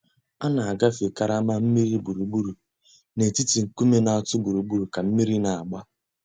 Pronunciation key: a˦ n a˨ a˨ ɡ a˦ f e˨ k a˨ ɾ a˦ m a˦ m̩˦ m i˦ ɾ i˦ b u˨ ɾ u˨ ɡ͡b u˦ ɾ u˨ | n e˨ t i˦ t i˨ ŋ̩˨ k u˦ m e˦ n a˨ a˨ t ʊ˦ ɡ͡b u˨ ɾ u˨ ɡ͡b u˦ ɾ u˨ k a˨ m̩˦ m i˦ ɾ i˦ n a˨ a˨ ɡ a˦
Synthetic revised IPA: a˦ n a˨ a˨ ɡ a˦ f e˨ k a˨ ɾ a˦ m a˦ m̩˦ m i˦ ɾ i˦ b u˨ ɾ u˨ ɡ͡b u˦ ɾ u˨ | n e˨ t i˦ t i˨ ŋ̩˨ k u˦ m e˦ n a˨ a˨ t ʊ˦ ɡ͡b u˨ ɾ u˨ ɡ͡b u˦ ɾ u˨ k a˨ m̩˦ m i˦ ɾ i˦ n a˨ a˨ ɡ͡b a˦